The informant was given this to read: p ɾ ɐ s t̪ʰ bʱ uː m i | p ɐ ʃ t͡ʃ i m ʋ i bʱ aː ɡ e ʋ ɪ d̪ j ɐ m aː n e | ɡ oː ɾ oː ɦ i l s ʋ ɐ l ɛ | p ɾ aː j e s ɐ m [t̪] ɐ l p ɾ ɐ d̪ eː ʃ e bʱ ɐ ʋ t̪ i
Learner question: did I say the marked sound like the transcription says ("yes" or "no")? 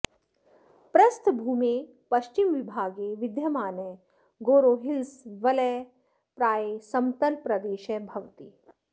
yes